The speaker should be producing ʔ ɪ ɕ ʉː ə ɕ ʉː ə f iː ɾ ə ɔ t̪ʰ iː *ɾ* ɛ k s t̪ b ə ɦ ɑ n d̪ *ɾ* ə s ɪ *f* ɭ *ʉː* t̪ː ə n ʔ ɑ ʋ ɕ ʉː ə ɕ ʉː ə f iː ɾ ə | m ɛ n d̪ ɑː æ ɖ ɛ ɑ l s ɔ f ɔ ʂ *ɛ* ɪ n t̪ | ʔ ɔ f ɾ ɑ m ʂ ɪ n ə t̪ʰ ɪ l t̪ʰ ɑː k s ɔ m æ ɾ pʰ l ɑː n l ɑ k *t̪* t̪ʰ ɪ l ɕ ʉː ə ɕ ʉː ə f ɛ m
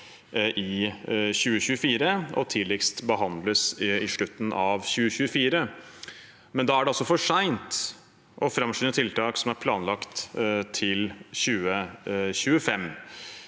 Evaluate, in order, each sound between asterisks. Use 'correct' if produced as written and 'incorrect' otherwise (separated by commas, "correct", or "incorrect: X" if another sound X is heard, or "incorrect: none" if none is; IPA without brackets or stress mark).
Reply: incorrect: l, incorrect: l, incorrect: ʂ, incorrect: ʉ, incorrect: æ, correct